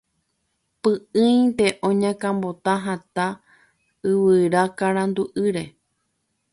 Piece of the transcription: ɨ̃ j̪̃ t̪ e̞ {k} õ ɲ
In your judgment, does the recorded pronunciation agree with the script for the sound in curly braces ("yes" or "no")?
no